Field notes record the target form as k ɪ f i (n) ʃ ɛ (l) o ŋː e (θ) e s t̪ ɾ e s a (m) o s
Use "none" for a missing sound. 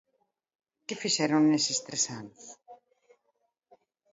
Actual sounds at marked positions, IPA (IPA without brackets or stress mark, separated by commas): none, ɾ, s, n